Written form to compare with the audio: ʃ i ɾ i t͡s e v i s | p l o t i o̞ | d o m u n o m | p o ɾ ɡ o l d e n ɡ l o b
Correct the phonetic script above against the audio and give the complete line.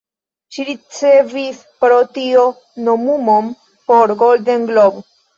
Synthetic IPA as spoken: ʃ i ɾ i t͡s e v i s | p ɾ o t i o̞ | n o m u m o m | p o ɾ ɡ o l d e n ɡ l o b